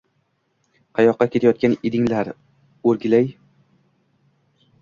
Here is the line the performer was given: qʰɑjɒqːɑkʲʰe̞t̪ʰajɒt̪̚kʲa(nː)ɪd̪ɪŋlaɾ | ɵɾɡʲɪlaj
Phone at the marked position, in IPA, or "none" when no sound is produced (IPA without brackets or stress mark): n